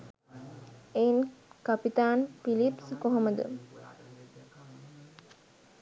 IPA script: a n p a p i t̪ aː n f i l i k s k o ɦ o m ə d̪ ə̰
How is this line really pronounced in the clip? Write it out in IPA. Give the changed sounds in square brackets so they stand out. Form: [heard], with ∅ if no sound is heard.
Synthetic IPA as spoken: [e] n [k] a p i t̪ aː n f i l i [p] s k o ɦ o m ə d̪ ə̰